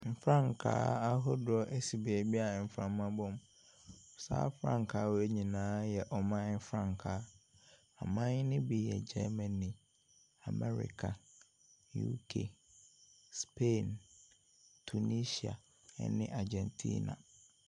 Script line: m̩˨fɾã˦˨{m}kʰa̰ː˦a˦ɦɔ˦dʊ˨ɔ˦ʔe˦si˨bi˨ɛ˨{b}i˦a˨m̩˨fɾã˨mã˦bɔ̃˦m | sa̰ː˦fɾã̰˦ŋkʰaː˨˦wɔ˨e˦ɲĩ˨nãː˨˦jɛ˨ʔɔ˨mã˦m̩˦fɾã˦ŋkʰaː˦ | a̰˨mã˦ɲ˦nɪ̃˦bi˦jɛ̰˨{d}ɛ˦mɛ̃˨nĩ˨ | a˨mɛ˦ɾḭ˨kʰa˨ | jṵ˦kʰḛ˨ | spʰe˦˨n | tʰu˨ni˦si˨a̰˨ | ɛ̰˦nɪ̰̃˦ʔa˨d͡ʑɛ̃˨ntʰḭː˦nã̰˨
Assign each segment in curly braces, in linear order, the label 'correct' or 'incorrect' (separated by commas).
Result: incorrect, correct, incorrect